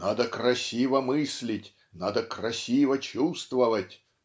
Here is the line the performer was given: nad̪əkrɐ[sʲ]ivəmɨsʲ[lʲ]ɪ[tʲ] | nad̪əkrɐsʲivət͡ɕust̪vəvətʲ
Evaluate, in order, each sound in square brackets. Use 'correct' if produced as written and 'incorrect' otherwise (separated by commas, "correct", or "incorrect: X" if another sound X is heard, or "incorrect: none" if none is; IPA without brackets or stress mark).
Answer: correct, correct, correct